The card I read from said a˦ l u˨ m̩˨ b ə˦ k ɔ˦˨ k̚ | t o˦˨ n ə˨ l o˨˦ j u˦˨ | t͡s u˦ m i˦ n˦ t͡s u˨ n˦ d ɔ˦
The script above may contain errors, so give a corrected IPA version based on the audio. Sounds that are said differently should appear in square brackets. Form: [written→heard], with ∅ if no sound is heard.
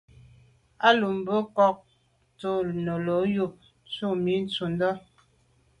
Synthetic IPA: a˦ l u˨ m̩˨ b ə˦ k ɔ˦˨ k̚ | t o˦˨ n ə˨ l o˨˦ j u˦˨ | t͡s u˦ m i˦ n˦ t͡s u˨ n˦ d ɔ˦